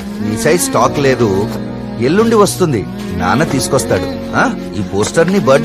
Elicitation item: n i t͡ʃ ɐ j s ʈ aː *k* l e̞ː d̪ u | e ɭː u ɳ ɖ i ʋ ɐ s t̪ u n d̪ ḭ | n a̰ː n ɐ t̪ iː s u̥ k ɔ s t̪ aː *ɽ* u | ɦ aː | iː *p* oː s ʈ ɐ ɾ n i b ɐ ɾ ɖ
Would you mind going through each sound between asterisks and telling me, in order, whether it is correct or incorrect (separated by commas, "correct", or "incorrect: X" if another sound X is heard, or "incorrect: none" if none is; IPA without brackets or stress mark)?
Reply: correct, correct, correct